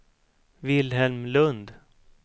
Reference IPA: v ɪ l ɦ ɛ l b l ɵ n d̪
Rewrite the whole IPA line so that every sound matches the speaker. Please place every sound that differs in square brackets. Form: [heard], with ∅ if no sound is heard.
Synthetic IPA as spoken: v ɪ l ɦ ɛ l [m] l ɵ n d̪